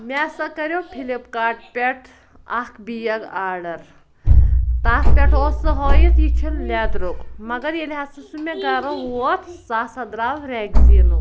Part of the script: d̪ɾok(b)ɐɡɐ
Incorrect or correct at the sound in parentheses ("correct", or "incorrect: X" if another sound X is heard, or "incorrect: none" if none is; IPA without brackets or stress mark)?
incorrect: m